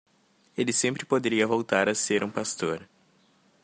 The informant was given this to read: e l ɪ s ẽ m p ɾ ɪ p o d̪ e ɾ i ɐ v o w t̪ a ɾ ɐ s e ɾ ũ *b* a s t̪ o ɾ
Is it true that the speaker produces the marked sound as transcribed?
no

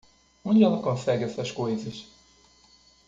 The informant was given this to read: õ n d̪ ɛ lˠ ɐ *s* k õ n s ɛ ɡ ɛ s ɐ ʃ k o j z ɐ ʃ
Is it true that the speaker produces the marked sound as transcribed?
no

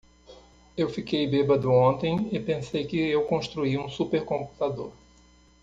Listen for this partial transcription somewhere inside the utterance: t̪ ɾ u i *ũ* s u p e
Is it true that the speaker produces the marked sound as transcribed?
yes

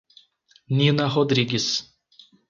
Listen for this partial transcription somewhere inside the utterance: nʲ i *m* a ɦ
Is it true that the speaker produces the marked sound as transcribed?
no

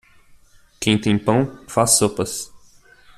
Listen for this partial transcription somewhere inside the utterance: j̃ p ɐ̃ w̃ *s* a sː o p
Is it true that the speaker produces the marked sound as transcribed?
no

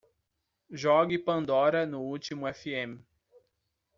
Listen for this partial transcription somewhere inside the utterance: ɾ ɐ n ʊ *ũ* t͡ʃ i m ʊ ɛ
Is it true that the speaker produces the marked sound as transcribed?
no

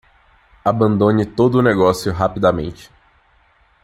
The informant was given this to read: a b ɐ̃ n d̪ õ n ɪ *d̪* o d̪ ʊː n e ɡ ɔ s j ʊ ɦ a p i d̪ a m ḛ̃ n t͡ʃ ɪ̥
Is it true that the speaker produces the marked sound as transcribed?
no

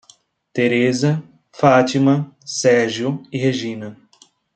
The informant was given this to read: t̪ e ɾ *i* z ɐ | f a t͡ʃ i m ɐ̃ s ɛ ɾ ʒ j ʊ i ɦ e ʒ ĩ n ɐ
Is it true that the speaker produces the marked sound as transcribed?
no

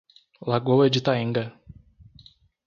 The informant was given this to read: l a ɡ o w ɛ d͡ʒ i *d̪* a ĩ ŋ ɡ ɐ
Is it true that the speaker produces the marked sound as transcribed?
no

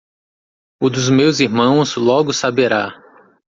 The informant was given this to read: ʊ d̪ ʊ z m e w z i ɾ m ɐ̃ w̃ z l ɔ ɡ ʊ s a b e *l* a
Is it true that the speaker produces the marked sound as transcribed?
no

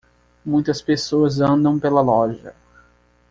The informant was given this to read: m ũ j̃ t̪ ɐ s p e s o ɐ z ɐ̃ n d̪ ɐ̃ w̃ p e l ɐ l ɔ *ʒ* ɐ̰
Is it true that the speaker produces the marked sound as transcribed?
yes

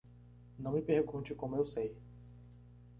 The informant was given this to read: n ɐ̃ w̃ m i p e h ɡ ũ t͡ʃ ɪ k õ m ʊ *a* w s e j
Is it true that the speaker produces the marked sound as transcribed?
no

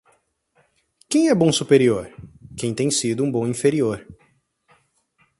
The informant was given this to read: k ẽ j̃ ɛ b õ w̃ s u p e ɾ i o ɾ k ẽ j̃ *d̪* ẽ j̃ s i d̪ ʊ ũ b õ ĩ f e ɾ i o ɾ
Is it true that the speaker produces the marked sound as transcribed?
no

